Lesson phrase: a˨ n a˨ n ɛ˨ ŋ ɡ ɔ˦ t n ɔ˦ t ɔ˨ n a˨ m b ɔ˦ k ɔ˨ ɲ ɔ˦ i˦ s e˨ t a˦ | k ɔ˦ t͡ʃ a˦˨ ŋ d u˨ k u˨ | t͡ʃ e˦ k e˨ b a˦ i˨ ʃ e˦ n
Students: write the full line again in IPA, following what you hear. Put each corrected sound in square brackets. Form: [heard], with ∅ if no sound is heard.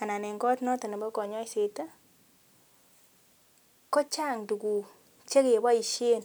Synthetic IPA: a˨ n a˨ n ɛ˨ ŋ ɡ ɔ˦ t n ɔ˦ t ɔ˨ n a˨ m b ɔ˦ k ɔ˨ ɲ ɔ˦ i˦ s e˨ t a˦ | k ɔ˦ t͡ʃ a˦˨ ŋ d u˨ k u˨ | t͡ʃ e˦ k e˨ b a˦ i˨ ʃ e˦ n